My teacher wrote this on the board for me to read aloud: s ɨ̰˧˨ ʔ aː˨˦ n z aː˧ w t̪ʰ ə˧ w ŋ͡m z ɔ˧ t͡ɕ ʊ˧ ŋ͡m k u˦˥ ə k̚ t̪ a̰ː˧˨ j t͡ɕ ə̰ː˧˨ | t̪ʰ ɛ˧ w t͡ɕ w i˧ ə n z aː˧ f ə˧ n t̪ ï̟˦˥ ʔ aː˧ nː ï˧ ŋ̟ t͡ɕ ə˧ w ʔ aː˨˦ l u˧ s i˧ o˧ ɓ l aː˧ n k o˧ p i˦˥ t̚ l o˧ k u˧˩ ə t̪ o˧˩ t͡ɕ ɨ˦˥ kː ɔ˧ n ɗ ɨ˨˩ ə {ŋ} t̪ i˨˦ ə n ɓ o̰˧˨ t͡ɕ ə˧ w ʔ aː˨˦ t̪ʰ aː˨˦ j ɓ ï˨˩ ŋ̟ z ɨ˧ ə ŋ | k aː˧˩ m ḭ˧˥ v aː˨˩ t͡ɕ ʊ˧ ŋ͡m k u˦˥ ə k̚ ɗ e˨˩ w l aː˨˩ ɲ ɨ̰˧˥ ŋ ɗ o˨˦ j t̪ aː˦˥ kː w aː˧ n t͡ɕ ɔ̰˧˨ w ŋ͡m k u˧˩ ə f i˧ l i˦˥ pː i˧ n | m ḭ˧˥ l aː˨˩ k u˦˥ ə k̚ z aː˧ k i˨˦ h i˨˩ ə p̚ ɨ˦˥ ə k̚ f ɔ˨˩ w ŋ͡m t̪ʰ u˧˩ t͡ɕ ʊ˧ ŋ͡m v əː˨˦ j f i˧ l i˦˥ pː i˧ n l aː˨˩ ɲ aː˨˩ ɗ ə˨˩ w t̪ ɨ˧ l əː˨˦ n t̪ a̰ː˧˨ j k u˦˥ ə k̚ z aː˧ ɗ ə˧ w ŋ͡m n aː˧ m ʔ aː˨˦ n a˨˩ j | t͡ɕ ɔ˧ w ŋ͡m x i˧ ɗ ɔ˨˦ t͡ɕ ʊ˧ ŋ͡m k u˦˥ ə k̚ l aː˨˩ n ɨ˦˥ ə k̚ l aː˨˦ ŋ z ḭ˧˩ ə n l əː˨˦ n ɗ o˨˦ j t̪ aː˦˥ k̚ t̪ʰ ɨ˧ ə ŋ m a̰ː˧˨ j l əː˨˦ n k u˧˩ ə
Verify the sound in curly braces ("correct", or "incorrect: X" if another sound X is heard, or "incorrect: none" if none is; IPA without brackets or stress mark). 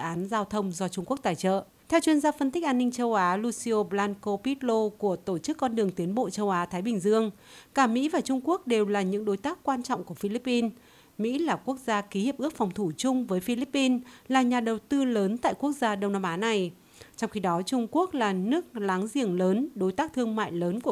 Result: correct